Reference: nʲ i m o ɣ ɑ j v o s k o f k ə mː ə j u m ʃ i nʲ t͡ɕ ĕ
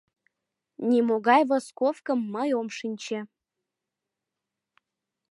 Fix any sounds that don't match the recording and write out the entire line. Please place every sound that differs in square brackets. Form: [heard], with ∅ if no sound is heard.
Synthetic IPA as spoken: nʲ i m o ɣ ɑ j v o s k o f k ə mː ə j [o] m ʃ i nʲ t͡ɕ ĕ